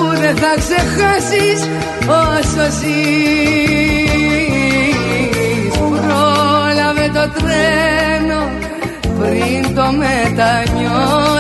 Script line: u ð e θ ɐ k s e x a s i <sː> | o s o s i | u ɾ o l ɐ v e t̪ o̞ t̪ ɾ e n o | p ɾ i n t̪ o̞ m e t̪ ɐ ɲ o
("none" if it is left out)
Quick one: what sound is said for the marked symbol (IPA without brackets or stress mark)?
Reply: s